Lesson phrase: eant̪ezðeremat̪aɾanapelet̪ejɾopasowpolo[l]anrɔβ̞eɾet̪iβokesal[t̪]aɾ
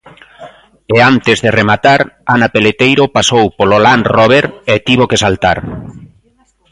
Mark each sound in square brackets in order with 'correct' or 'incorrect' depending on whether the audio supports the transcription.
correct, correct

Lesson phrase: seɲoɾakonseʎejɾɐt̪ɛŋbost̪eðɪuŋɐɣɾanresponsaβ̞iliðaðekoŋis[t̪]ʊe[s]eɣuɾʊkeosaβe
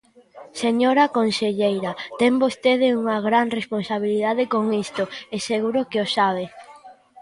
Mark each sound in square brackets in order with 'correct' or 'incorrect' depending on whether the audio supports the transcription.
correct, correct

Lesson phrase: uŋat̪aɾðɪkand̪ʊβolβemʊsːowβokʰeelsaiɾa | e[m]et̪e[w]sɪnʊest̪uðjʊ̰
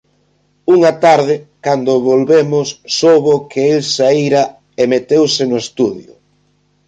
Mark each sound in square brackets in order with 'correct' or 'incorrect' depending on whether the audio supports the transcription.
correct, correct

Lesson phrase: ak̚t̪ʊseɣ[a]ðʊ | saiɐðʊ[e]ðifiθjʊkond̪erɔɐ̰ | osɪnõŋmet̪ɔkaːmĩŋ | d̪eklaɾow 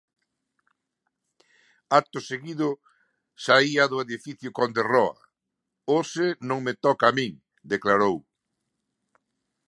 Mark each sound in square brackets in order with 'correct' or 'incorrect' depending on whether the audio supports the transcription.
incorrect: i, correct

